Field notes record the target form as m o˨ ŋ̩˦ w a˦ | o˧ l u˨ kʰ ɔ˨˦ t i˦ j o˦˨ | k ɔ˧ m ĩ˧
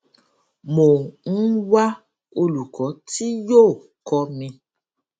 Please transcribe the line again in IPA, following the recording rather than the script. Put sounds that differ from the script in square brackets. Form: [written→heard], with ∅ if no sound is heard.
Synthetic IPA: m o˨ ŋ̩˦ w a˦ | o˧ l u˨ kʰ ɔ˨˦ t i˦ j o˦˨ | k ɔ˧ m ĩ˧